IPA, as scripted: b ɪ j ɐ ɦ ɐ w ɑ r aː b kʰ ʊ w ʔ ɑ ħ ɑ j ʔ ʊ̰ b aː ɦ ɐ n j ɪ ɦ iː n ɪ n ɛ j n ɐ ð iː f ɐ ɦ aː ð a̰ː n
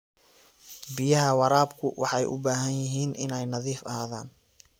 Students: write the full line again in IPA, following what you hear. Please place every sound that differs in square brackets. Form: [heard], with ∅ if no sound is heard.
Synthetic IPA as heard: b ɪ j ɐ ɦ ɐ w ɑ [ɾ] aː b kʰ ʊ w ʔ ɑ ħ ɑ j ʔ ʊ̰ b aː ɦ ɐ n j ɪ ɦ iː n ɪ n ɛ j n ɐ ð iː f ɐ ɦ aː ð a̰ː n